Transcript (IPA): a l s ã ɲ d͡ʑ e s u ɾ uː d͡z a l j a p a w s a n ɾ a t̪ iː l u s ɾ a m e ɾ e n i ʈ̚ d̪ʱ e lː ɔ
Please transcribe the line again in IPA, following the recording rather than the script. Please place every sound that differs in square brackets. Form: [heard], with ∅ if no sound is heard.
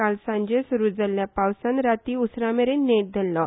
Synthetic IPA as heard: a l s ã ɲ d͡ʑ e s u ɾ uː d͡z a l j a p a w s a n ɾ a t̪ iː [∅] u s ɾ a m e ɾ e n [e] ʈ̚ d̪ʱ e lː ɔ